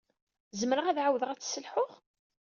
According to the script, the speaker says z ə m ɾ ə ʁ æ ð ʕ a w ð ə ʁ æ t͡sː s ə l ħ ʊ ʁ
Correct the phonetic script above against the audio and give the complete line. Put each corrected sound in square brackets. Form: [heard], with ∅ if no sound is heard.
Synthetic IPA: z ə m ɾ ə ʁ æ ð ʕ a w ð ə ʁ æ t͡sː s ə l ħ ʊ ʁ